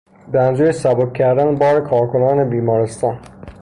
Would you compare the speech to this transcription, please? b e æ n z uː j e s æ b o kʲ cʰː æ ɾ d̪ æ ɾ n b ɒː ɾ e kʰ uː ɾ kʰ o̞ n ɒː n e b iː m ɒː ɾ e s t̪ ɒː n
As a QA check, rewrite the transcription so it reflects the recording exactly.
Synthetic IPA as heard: b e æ n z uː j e s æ b o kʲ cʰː æ ɾ d̪ æ n b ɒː ɾ e kʰ ɒː ɾ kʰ o̞ n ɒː n e b iː m ɒː ɾ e s t̪ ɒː n

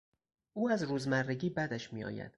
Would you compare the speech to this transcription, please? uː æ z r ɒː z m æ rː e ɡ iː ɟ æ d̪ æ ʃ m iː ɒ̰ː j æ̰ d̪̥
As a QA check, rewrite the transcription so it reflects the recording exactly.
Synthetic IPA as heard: uː æ z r uː z m æ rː e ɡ iː b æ d̪ æ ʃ m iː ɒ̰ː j æ̰ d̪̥

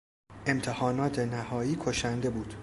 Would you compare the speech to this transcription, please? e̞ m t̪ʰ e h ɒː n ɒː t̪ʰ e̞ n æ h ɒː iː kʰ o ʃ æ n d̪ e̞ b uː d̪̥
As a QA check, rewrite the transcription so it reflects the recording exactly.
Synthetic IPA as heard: e̞ m t̪ʰ e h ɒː n ɒː t̪ʰ e̞ n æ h ɒː iː kʰ o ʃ æ n d̪ e̞ b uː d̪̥

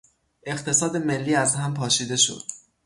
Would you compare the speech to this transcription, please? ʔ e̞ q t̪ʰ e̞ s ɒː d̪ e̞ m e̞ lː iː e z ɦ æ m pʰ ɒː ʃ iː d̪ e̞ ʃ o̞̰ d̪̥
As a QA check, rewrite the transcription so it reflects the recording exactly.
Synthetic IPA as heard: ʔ e̞ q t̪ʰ e̞ s ɒː d̪ e̞ m e̞ lː iː æ z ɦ æ m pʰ ɒː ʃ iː d̪ e̞ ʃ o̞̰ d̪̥

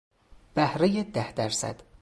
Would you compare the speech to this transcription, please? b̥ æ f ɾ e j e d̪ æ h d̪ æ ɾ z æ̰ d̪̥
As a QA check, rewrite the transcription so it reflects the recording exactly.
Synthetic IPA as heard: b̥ æ h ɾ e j e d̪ æ h d̪ æ ɾ s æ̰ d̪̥

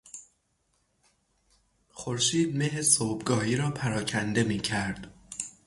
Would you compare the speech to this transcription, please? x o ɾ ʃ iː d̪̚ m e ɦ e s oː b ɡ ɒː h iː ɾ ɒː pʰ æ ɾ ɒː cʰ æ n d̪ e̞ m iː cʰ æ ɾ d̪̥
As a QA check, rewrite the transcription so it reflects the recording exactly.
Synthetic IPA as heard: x o ɾ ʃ iː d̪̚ m e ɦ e s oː b ɡ ɒː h iː ɾ ɒː pʰ æ ɾ ɒː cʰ æ n d̪ e̞ m iː cʰ æ ɾ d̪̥

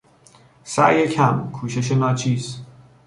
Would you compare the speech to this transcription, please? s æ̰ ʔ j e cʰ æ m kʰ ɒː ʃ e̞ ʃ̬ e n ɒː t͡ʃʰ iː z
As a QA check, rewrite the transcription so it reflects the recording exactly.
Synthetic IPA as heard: s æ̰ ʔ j e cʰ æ m kʰ uː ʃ e̞ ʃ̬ e n ɒː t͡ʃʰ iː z

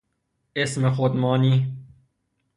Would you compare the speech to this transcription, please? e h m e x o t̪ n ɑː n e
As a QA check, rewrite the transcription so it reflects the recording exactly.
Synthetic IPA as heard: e s m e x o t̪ m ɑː n i

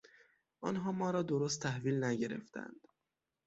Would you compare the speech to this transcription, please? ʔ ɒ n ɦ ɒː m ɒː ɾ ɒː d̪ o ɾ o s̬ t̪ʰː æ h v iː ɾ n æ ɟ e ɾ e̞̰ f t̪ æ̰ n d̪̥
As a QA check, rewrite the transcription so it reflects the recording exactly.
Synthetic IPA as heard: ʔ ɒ n ɦ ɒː m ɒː ɾ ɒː d̪ o ɾ o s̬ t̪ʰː æ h v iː l n æ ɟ e ɾ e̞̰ f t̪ æ̰ n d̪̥

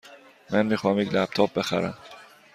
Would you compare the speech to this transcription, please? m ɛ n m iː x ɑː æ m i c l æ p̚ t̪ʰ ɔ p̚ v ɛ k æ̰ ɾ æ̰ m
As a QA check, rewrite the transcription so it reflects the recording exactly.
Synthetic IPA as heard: m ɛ n m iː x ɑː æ m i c l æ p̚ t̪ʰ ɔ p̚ b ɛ x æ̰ ɾ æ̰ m

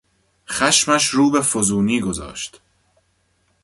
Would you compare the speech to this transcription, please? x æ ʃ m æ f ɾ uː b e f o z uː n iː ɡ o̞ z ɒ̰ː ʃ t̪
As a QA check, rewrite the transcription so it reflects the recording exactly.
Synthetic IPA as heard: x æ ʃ m æ ʃ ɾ uː b e f o z uː n iː ɡ o̞ z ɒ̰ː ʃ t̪

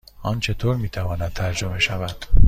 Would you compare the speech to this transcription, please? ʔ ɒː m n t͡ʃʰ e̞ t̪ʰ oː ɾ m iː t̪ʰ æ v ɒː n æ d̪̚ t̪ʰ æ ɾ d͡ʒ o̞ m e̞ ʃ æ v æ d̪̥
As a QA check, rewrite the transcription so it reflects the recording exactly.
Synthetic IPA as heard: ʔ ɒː n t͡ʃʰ e̞ t̪ʰ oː ɾ m iː t̪ʰ æ v ɒː n æ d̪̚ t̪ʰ æ ɾ d͡ʒ o̞ m e̞ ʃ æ v æ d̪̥

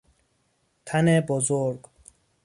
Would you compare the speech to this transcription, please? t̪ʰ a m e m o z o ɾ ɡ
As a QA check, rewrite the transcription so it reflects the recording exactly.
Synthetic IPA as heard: t̪ʰ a n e b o z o ɾ ɡ

